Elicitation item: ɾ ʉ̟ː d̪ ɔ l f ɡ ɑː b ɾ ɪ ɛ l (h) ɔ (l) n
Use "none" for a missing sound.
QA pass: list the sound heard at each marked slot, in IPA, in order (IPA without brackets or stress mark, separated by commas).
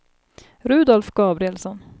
s, none